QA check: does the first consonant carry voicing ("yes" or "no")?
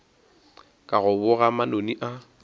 no